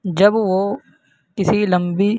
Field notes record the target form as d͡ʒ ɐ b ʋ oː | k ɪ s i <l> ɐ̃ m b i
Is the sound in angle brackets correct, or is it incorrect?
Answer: correct